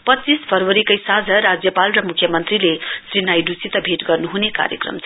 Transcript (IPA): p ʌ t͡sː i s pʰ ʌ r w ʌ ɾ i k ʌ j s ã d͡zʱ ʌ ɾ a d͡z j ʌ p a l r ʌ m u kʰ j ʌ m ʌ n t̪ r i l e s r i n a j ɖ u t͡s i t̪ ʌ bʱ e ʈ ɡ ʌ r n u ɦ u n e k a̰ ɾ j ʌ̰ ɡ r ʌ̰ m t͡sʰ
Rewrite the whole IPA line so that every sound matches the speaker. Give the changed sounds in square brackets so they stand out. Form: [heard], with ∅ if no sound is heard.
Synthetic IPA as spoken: p ʌ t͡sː i s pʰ ʌ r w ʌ ɾ i k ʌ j s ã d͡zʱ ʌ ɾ a d͡z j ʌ p a l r ʌ m u kʰ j ʌ m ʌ n t̪ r i l e s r i n a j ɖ u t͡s i t̪ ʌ bʱ e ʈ ɡ ʌ r n u ɦ u n e k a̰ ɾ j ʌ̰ [k] r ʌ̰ m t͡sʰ

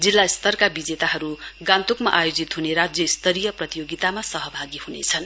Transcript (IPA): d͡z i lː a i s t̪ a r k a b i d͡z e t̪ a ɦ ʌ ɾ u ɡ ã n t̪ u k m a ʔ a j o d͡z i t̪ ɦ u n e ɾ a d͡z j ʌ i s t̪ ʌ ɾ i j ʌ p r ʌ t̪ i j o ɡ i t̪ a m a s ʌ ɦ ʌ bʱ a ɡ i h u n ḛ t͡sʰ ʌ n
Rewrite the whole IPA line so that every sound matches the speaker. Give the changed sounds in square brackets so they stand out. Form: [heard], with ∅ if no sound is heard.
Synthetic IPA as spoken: d͡z i lː a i s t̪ [ʌ] r k a b i d͡z e t̪ a ɦ ʌ ɾ u ɡ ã n t̪ u k m a ʔ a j o d͡z i t̪ ɦ u n e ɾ a d͡z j ʌ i s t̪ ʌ ɾ i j ʌ p r ʌ t̪ i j o ɡ i t̪ a m a s ʌ ɦ ʌ bʱ a ɡ i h u n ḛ t͡sʰ ʌ n

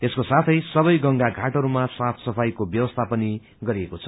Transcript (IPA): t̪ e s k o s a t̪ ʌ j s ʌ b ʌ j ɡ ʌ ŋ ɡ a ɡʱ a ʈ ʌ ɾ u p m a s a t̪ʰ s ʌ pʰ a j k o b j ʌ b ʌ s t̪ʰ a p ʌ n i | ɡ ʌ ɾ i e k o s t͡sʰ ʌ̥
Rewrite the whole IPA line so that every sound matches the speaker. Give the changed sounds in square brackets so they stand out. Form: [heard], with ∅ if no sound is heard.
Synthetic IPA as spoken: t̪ e s k o s a [t̪ʰ] ʌ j s ʌ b ʌ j ɡ ʌ ŋ ɡ a ɡʱ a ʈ ʌ ɾ u [∅] m a s a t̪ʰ s ʌ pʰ a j k o b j ʌ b ʌ s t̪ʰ a p ʌ n i | ɡ ʌ ɾ i e k o [∅] t͡sʰ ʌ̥

